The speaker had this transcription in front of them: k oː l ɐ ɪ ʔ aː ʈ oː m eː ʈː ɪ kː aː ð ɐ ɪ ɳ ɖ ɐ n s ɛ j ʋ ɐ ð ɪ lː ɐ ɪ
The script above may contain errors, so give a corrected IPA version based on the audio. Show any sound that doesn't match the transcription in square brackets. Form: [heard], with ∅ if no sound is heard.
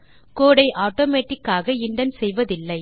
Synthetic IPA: k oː [ɽ] ɐ ɪ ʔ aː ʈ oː m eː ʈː ɪ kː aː [ɣ] ɐ ɪ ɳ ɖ ɐ n s ɛ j ʋ ɐ ð ɪ lː ɐ ɪ

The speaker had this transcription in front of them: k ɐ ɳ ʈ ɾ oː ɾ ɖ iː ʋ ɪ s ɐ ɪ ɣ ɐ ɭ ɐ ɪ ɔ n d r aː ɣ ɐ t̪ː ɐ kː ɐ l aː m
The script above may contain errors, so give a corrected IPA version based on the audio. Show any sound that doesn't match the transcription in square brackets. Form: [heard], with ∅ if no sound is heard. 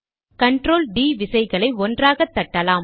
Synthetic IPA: k ɐ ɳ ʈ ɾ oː [l] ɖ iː ʋ ɪ s ɐ ɪ ɣ ɐ ɭ ɐ ɪ ɔ n d r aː ɣ ɐ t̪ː ɐ [ʈː] ɐ l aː m

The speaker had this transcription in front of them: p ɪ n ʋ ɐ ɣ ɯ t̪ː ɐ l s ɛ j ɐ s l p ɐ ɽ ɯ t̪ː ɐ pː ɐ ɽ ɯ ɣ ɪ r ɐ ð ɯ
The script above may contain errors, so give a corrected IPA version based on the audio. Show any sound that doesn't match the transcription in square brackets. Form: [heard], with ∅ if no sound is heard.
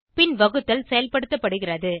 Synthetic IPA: p ɪ n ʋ ɐ ɣ ɯ t̪ː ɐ l s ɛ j ɐ [∅] l p ɐ ɽ ɯ t̪ː ɐ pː ɐ ɽ ɯ ɣ ɪ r ɐ ð ɯ

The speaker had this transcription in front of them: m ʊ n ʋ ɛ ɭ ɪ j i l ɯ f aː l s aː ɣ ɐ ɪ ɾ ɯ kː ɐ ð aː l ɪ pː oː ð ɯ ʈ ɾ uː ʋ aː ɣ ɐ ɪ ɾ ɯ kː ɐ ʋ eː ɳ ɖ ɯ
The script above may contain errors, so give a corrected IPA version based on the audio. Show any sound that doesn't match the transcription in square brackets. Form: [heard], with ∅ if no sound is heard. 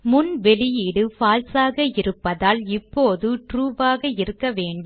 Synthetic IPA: m ʊ n ʋ ɛ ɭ ɪ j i [ɽ] ɯ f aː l s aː ɣ ɐ ɪ ɾ ɯ [pː] ɐ ð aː l ɪ pː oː ð ɯ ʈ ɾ uː ʋ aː ɣ ɐ ɪ ɾ ɯ kː ɐ ʋ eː ɳ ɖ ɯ

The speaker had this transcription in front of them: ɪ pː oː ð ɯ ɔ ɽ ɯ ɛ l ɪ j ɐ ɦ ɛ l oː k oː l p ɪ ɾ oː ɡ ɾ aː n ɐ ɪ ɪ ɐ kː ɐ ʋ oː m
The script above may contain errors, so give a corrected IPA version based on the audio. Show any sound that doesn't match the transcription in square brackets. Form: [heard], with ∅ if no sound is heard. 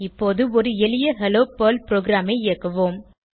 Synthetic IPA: ɪ pː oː ð ɯ ɔ [ɾ] ɯ ɛ l ɪ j ɐ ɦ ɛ l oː [p] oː l p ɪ ɾ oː ɡ ɾ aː [m] ɐ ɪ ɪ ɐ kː ɐ ʋ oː m

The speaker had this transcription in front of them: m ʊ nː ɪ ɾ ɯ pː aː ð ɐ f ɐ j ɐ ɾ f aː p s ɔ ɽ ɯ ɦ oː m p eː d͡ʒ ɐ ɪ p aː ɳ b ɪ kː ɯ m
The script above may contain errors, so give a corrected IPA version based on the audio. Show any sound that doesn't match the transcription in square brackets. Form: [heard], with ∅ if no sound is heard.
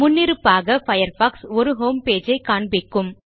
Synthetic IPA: m ʊ nː ɪ ɾ ɯ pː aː [ɣ] ɐ f ɐ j ɐ ɾ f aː [k] s ɔ [ɾ] ɯ ɦ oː m p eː d͡ʒ ɐ ɪ [k] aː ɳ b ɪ kː ɯ m

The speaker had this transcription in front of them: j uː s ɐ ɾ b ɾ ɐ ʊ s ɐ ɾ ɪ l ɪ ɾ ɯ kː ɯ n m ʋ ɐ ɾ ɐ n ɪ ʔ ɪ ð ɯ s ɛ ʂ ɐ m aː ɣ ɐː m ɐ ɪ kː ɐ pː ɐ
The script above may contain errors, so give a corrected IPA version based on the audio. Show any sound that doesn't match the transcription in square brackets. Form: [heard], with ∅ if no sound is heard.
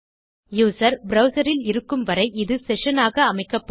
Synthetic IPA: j uː s ɐ ɾ b ɾ ɐ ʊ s ɐ ɾ ɪ l ɪ ɾ ɯ kː ɯ [∅] m ʋ ɐ ɾ ɐ [∅] ɪ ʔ ɪ ð ɯ s ɛ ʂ ɐ [n] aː ɣ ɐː m ɐ ɪ kː ɐ pː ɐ

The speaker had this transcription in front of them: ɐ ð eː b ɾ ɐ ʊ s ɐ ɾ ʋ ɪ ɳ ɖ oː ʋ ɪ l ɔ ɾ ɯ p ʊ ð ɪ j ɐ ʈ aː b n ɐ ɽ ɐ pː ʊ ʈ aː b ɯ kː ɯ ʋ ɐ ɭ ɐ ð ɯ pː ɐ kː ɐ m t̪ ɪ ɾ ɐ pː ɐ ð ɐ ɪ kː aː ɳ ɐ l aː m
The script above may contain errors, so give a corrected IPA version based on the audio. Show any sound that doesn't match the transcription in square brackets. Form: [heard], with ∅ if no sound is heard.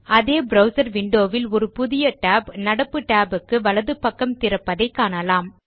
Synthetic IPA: ɐ ð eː b ɾ ɐ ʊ s ɐ ɾ ʋ ɪ ɳ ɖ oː ʋ ɪ l ɔ ɾ ɯ p ʊ ð ɪ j ɐ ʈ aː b n ɐ ɽ ɐ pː [ɯ] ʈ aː b ɯ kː ɯ ʋ ɐ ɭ ɐ ð ɯ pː ɐ kː ɐ m t̪ ɪ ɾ ɐ pː ɐ ð ɐ ɪ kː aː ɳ ɐ l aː m

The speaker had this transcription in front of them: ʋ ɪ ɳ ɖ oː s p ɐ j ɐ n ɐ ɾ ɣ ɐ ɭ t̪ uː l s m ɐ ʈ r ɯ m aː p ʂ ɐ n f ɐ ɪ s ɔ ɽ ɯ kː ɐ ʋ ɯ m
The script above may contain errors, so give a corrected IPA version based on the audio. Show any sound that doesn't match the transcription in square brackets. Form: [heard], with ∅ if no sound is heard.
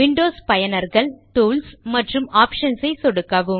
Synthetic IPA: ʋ ɪ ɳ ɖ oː s p ɐ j ɐ n ɐ ɾ ɣ ɐ ɭ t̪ uː l s m ɐ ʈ r ɯ m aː p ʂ ɐ n [s] ɐ ɪ s ɔ ɽ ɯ kː ɐ ʋ ɯ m

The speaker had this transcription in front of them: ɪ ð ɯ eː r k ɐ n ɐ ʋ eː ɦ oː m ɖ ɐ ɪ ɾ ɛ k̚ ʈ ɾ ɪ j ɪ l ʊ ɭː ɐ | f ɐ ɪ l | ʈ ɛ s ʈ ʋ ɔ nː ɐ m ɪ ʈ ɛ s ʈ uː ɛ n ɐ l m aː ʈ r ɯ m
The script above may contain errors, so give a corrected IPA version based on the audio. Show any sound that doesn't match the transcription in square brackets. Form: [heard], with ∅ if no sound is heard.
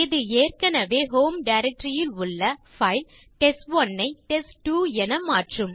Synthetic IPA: ɪ ð ɯ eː r k ɐ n ɐ ʋ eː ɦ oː m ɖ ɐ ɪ ɾ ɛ k̚ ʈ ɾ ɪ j ɪ l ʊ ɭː ɐ | f ɐ ɪ l | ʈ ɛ s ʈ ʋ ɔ nː ɐ [∅] ɪ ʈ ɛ s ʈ uː ɛ n ɐ [∅] m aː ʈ r ɯ m

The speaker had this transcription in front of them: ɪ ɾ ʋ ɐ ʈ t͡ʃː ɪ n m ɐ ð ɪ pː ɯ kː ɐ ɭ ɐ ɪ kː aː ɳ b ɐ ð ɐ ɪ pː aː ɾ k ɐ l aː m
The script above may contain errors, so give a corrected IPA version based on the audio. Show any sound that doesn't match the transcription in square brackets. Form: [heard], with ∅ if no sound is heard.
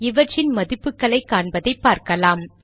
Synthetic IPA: ɪ [∅] ʋ ɐ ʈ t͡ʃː ɪ n m ɐ ð ɪ pː ɯ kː ɐ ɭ ɐ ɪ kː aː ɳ b ɐ ð ɐ ɪ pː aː ɾ k ɐ l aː m

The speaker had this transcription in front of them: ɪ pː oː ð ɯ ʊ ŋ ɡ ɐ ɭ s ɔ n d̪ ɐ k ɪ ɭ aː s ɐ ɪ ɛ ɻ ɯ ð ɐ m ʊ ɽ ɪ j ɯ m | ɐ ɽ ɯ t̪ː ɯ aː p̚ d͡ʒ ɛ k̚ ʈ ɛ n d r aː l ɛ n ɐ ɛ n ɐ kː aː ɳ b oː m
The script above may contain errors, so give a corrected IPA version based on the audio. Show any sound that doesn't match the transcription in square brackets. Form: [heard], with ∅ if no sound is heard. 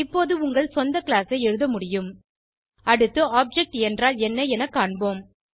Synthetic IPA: ɪ pː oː ð ɯ ʊ ŋ ɡ ɐ ɭ s ɔ n d̪ ɐ k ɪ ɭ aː s ɐ ɪ ɛ ɻ ɯ ð ɐ m ʊ ɽ ɪ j ɯ m | ɐ ɽ ɯ t̪ː ɯ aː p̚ d͡ʒ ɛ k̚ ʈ ɛ n d r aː l ɛ [nː] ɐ ɛ n ɐ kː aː ɳ b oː m

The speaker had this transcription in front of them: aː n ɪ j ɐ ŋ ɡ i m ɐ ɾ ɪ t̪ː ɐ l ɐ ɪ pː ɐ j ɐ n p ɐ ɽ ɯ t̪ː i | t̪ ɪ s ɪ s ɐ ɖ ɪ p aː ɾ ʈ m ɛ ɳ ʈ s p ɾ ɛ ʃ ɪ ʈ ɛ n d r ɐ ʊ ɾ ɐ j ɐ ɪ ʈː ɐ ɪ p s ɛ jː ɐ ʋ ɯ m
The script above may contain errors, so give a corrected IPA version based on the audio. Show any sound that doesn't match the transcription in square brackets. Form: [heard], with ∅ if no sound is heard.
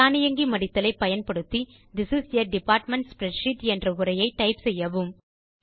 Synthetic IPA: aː n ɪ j ɐ ŋ ɡ i m ɐ [ɽ] ɪ t̪ː ɐ l ɐ ɪ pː ɐ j ɐ n p ɐ ɽ ɯ t̪ː i | [d̪] ɪ s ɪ s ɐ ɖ ɪ p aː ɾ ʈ m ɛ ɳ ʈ s p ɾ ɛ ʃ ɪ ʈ ɛ n d r ɐ ʊ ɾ ɐ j ɐ ɪ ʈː ɐ ɪ p s ɛ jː ɐ ʋ ɯ m

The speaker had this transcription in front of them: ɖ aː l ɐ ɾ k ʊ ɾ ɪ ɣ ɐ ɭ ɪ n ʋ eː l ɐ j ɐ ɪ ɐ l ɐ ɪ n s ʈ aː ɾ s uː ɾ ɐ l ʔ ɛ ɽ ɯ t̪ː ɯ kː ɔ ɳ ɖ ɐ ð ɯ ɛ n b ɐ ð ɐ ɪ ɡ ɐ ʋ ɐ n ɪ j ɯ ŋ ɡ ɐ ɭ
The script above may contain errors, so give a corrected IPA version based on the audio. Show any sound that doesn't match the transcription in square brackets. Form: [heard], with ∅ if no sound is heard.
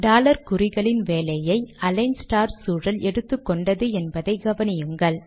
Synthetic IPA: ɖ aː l ɐ ɾ k ʊ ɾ ɪ ɣ ɐ ɭ ɪ n ʋ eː l ɐ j ɐ ɪ ɐ l ɐ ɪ n s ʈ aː ɾ s uː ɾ ɐ l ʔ ɛ ɽ ɯ t̪ː ɯ kː ɔ ɳ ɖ ɐ ð ɯ ɛ n b ɐ ð ɐ ɪ ɡ ɐ ʋ ɐ n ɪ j ɯ ŋ ɡ ɐ ɭ

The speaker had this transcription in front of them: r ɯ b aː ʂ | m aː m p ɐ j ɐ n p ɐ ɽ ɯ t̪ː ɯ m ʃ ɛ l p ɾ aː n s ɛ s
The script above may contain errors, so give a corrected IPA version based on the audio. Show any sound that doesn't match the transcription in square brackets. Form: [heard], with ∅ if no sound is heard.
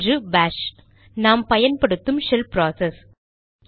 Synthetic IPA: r ɯ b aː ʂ | [n] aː m p ɐ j ɐ n p ɐ ɽ ɯ t̪ː ɯ m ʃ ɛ l p ɾ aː [∅] s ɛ s

